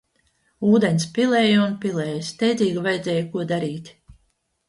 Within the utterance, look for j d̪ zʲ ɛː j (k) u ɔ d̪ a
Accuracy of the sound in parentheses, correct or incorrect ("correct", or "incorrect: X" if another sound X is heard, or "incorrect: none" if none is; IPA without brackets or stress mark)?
correct